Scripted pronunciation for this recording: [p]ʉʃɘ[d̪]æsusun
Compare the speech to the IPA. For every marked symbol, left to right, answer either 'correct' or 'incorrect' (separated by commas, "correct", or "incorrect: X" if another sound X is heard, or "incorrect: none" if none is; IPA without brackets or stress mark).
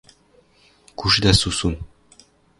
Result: incorrect: k, correct